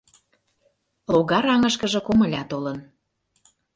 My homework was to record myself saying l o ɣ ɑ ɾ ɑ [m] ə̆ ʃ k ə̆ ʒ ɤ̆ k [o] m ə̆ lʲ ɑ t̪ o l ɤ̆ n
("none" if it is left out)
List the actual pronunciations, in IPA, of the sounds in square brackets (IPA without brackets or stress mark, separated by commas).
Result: ŋ, o